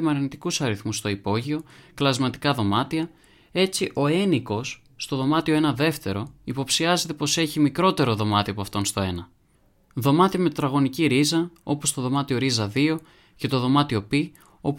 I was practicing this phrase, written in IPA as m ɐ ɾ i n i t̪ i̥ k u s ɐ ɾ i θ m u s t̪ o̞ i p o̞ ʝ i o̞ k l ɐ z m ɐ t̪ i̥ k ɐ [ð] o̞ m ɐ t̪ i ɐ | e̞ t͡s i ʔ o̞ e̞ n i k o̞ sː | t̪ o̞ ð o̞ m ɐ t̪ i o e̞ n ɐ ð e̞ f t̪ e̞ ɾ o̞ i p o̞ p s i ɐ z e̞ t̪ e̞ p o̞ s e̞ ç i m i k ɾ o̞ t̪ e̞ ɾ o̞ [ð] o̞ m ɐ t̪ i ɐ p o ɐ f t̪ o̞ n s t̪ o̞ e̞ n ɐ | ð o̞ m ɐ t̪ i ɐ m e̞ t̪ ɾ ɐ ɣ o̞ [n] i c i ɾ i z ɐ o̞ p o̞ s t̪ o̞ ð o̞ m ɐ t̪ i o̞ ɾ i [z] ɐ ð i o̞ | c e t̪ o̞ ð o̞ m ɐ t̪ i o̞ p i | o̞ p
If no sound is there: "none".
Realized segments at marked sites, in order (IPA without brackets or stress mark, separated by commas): ð, ð, n, z